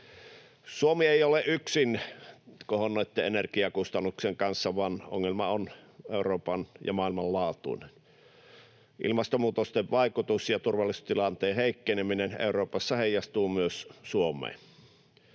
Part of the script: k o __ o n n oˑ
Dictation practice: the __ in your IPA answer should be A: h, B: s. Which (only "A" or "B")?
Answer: A